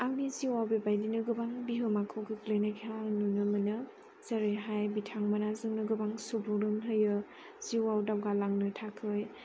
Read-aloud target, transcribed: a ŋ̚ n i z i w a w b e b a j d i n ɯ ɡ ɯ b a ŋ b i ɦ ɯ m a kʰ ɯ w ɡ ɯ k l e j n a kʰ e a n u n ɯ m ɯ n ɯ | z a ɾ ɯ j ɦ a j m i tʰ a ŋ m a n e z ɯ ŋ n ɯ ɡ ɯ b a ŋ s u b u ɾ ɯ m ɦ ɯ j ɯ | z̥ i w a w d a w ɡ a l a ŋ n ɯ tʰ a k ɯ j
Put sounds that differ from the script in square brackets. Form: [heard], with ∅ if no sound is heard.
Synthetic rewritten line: a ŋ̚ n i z i w a w b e b a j d i n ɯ ɡ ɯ b a ŋ b i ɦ ɯ m a kʰ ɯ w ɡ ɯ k l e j n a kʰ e a n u n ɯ m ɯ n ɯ | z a ɾ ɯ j ɦ a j [b] i tʰ a ŋ m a n [a] z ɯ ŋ n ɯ ɡ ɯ b a ŋ s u b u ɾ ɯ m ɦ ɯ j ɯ | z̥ i w a w d a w ɡ a l a ŋ n ɯ tʰ a [kʰ] ɯ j